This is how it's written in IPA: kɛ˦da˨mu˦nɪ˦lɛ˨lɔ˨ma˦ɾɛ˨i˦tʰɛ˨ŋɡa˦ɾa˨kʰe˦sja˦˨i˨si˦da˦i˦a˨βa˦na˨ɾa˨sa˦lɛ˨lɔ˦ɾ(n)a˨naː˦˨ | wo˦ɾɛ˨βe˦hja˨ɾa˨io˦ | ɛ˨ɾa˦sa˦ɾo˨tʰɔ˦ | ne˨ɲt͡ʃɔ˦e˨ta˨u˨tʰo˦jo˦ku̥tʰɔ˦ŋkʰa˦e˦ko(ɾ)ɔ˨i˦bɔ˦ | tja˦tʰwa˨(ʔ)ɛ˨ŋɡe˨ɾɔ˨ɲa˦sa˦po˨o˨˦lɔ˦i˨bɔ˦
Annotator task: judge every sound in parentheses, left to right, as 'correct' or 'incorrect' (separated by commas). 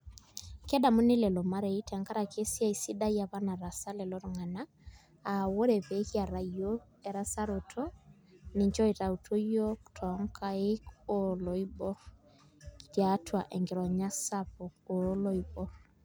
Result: incorrect, incorrect, correct